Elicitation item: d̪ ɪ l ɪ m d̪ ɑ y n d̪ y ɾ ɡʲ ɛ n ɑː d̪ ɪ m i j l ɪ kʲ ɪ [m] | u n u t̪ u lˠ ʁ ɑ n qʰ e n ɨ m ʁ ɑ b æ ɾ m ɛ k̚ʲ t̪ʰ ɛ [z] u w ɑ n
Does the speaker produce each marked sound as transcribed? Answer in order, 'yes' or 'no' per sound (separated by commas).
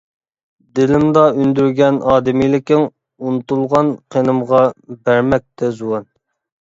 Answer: no, yes